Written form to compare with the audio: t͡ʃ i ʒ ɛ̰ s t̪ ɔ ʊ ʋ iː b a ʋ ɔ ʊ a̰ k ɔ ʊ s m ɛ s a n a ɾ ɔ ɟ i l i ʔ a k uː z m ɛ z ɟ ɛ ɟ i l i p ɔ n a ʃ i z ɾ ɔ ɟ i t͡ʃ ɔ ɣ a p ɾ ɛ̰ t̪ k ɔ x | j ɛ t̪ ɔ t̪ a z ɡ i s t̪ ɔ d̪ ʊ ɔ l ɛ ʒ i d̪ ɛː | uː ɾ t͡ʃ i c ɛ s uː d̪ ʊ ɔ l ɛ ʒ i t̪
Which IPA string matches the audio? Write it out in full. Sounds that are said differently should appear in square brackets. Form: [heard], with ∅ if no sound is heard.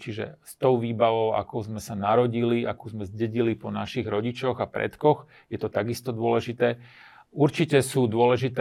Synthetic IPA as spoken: t͡ʃ i ʒ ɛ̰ s t̪ ɔ ʊ ʋ iː b a ʋ ɔ ʊ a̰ k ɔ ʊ [z] m ɛ s a n a ɾ ɔ ɟ i l i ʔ a k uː z m ɛ z ɟ ɛ ɟ i l i p ɔ n a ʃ i [ɣ] ɾ ɔ ɟ i t͡ʃ ɔ ɣ a p ɾ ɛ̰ t̪ k ɔ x | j ɛ t̪ ɔ t̪ a [∅] ɡ i s t̪ ɔ d̪ ʊ ɔ l ɛ ʒ i [t̪] ɛː | [u] ɾ t͡ʃ i c ɛ s uː d̪ ʊ ɔ l ɛ ʒ i t̪